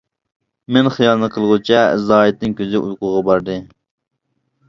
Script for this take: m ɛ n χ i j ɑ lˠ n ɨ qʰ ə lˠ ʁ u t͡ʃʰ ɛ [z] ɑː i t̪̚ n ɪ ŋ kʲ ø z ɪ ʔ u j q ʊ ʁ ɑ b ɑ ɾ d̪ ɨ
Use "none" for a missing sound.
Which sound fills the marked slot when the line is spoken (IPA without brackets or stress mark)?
z